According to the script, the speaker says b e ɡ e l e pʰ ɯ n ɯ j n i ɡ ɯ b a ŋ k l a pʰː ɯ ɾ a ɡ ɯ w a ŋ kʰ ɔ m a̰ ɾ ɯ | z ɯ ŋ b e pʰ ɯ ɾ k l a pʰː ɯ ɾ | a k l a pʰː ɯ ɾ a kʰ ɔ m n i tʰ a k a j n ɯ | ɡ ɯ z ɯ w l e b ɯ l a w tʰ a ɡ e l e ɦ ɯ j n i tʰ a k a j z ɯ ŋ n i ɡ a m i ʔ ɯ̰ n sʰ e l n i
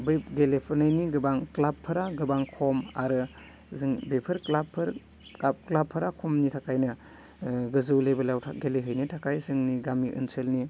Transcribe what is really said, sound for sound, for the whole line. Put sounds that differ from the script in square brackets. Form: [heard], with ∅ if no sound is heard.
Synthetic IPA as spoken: b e ɡ e l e pʰ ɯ n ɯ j n i ɡ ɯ b a ŋ k l a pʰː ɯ ɾ a ɡ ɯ [b] a ŋ kʰ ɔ m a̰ ɾ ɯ | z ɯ ŋ b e pʰ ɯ ɾ k l a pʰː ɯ ɾ | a k l a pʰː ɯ ɾ a kʰ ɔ m n i tʰ a k a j n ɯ | ɡ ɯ z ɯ w l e b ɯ l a w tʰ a ɡ e l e ɦ ɯ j n i tʰ a k a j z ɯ ŋ n i ɡ a m i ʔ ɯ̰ n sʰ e l n i